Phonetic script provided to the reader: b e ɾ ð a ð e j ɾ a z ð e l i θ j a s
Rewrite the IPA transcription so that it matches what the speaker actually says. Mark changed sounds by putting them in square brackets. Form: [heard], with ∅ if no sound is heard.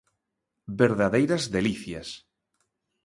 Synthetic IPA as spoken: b e ɾ ð a ð e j ɾ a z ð e l i θ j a s